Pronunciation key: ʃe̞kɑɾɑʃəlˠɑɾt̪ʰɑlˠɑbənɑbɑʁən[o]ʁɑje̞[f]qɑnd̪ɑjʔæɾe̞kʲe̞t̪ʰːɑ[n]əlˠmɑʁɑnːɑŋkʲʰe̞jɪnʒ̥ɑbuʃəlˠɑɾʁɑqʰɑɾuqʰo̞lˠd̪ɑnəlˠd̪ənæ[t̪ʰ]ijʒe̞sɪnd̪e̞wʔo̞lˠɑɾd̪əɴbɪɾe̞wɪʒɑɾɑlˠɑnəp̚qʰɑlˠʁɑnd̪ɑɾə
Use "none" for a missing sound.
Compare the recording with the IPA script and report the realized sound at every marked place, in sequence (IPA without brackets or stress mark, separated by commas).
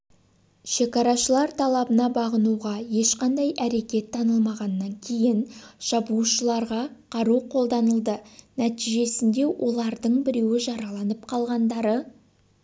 u, ʃ, n, t̪